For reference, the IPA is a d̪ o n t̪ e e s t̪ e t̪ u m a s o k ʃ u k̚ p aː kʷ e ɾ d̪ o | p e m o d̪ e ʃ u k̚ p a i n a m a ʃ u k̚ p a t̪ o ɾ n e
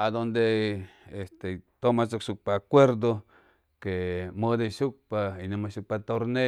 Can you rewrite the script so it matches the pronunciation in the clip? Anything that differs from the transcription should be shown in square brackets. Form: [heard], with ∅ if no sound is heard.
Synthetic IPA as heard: a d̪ o n [d̪] e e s t̪ e t̪ [o] m a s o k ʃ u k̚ p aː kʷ e ɾ d̪ o | [k] e m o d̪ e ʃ u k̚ p a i n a m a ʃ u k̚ p a t̪ o ɾ n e